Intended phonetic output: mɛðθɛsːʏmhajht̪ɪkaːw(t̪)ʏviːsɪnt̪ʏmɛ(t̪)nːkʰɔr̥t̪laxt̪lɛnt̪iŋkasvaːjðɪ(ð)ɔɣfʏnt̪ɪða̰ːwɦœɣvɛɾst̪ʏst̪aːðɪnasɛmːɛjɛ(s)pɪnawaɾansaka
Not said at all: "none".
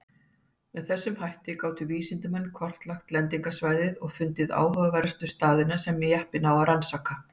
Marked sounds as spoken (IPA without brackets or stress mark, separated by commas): t̪, none, ð, h